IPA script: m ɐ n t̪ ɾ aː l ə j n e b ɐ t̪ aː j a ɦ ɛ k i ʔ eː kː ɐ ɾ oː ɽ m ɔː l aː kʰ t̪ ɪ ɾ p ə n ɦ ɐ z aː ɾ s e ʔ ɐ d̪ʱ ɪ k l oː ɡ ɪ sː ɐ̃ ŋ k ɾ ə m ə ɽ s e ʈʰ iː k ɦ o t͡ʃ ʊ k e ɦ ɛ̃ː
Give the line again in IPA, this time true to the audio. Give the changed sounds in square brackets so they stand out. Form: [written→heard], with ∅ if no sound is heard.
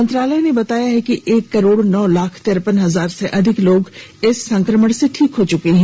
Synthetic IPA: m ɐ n t̪ ɾ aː l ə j n e b ɐ t̪ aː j a ɦ ɛ k i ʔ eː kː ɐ ɾ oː ɽ [m→n] ɔː l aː kʰ t̪ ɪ ɾ p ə n ɦ ɐ z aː ɾ s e ʔ ɐ d̪ʱ ɪ k l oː ɡ ɪ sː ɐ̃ ŋ k ɾ ə m ə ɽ s e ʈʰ iː k ɦ o t͡ʃ ʊ k e ɦ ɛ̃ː